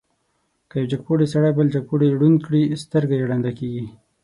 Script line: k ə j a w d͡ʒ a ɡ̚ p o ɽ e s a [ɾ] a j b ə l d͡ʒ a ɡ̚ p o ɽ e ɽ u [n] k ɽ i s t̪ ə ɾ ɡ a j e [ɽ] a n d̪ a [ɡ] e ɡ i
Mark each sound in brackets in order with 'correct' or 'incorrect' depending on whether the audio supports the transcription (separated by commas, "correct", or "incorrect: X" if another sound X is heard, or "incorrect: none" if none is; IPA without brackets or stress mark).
incorrect: ɽ, correct, correct, incorrect: k